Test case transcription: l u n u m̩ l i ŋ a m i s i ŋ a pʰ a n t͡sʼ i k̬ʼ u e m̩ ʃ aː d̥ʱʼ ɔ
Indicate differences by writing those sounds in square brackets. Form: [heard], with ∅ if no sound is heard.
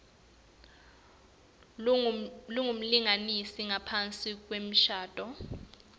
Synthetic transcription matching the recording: l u [ŋ] u m̩ l i ŋ a [n] i s i ŋ a pʰ a n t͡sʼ i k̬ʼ [w] e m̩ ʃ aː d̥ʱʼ ɔ